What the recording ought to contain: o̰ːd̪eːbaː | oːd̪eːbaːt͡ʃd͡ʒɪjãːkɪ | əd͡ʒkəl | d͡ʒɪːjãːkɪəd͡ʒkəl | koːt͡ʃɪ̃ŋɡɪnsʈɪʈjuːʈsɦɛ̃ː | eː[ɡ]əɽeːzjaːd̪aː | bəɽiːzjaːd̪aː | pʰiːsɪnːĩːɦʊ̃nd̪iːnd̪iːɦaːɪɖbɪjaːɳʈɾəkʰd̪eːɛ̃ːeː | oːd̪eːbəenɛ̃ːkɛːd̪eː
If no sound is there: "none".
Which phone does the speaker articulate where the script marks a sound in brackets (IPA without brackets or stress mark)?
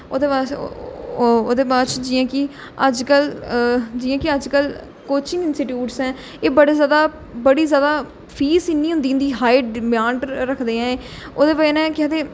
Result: b